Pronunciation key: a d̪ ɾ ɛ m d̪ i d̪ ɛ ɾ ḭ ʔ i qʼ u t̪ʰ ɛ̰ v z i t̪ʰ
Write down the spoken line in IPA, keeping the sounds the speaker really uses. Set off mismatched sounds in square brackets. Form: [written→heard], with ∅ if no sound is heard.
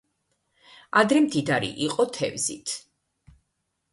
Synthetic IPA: a d̪ ɾ ɛ m d̪ i d̪ [ɛ→a] ɾ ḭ ʔ i qʼ [u→ɔ] t̪ʰ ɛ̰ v z i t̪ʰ